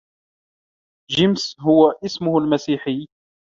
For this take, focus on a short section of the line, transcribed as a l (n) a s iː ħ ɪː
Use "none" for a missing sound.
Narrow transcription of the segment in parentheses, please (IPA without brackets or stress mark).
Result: m